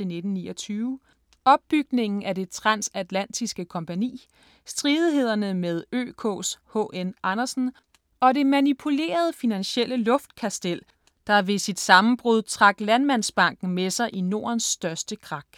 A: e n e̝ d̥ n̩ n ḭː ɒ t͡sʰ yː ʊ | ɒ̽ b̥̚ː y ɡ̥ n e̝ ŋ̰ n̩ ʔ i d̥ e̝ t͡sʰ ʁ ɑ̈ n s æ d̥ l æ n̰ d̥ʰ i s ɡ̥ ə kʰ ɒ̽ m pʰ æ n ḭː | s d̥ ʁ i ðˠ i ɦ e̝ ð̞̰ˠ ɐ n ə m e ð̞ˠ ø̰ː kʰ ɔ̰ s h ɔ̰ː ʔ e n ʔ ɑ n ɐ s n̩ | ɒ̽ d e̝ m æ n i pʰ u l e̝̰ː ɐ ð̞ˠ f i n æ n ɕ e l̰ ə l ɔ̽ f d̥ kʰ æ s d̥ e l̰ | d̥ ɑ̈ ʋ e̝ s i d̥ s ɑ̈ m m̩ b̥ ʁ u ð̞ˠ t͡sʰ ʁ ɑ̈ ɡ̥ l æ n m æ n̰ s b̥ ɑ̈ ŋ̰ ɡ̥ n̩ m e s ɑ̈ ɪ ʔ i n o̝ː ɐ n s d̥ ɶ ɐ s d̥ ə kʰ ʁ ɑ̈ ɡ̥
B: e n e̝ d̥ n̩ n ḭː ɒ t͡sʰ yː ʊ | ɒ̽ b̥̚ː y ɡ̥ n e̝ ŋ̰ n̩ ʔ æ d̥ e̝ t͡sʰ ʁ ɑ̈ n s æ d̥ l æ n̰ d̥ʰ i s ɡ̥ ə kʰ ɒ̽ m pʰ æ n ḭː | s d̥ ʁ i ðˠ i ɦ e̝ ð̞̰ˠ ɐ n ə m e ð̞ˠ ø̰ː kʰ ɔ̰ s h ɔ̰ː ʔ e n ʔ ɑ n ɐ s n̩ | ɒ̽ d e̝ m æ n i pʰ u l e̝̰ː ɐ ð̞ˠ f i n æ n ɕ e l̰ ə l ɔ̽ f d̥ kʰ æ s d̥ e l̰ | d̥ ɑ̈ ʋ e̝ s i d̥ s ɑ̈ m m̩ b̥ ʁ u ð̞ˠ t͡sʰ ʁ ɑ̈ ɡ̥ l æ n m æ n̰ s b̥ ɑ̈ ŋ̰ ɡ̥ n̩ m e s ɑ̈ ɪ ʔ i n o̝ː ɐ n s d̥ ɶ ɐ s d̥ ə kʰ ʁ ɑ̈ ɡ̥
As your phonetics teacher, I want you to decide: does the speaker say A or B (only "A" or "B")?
B